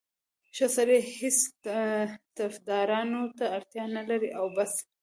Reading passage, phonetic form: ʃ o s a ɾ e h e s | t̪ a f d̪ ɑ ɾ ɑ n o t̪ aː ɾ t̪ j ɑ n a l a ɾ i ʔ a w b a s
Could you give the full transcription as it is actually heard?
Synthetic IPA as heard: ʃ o s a ɾ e h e s | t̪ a f d̪ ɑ ɾ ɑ n o t̪ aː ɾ t̪ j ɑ n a l a ɾ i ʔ a w b a s